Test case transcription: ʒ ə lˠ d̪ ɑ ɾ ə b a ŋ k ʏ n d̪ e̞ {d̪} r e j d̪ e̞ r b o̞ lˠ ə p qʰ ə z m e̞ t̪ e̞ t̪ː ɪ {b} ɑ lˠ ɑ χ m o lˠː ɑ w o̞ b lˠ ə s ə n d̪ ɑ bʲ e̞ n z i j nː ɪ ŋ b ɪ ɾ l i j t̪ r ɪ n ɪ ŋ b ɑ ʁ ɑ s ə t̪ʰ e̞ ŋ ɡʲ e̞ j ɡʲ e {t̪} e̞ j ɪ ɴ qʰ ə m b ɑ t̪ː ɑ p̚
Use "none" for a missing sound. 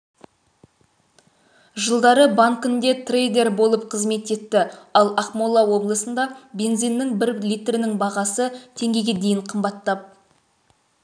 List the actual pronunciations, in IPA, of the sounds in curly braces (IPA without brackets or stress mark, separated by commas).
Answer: t̪, none, d̪